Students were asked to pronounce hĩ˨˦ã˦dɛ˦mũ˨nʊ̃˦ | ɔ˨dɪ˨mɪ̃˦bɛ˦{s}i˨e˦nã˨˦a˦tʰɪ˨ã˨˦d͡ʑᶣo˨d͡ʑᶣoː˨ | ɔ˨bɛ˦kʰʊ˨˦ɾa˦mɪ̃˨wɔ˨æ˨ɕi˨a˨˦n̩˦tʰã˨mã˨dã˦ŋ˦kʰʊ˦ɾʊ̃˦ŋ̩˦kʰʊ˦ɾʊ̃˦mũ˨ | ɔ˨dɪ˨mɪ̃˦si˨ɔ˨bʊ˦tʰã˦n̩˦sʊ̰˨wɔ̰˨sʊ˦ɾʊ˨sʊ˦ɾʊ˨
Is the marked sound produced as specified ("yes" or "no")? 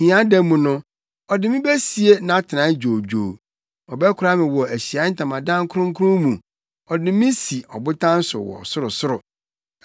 yes